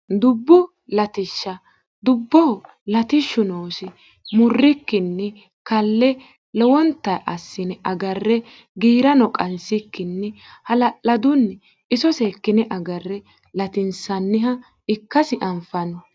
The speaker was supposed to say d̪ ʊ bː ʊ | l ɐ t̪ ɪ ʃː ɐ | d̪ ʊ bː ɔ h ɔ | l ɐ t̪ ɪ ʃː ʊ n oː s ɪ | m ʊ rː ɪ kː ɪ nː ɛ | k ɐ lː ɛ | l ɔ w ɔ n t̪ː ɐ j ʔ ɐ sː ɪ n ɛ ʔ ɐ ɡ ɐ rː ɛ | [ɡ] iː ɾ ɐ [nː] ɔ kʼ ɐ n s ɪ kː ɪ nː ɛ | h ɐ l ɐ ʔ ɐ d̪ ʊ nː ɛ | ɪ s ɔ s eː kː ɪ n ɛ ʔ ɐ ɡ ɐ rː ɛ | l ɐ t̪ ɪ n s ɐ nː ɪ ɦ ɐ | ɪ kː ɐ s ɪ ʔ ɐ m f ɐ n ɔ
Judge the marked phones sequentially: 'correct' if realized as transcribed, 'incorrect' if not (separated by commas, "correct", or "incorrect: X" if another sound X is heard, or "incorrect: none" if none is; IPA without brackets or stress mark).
correct, incorrect: n